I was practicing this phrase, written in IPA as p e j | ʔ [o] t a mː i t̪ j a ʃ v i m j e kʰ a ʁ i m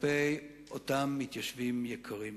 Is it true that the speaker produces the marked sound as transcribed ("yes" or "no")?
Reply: yes